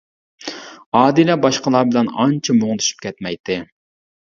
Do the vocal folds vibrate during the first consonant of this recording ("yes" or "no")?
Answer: yes